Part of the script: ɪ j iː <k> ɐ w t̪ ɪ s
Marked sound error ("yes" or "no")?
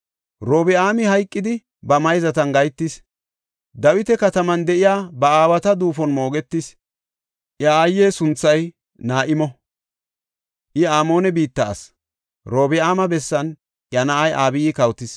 no